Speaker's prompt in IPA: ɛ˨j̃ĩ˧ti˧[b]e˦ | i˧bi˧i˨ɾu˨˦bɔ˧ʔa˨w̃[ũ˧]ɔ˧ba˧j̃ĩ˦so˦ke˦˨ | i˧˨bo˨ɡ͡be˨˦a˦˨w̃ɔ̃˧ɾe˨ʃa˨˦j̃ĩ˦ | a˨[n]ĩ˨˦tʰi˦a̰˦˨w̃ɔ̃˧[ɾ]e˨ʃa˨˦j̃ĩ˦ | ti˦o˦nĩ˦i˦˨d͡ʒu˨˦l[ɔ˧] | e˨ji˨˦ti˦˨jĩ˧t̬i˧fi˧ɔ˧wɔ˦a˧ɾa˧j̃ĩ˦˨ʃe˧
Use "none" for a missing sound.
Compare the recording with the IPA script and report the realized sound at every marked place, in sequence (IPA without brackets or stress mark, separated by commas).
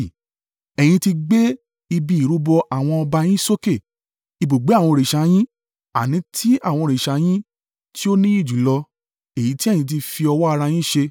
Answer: ɡ͡b, ɔ̃˧, n, ɾ, ɔ˧